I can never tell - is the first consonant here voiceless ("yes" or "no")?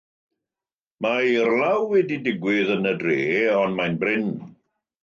no